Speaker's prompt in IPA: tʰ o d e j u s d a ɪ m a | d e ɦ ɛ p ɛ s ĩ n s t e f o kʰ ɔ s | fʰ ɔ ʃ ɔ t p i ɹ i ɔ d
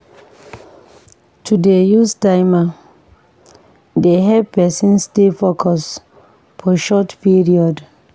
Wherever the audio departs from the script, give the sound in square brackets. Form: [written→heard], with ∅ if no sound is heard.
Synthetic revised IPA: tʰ [o→u] d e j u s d a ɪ m a | d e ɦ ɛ p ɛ s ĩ n s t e f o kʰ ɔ s | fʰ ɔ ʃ ɔ t p i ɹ i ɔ d